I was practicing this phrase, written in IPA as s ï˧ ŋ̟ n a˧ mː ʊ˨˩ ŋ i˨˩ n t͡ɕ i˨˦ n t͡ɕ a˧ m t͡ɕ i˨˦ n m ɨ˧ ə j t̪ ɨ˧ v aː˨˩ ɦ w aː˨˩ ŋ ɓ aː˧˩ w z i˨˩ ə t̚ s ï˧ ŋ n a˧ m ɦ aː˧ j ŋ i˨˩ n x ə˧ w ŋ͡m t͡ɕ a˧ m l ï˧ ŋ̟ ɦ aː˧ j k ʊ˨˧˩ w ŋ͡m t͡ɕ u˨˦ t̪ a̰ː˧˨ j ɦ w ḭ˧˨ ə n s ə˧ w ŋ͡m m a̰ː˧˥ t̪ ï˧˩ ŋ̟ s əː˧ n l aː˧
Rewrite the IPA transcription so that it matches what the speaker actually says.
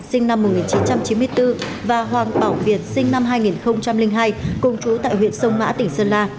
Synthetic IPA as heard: s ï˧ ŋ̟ n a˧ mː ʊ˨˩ ŋ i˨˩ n t͡ɕ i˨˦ n t͡ɕ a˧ m t͡ɕ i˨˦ n m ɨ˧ ə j t̪ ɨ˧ v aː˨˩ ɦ w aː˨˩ ŋ ɓ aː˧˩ w v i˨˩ ə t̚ s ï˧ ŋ n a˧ m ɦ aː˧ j ŋ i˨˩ n x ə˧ w ŋ͡m t͡ɕ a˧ m l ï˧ ŋ̟ ɦ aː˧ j k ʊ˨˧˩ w ŋ͡m t͡ɕ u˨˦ t̪ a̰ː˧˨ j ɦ w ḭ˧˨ ə n s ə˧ w ŋ͡m m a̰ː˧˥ t̪ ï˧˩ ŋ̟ s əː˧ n l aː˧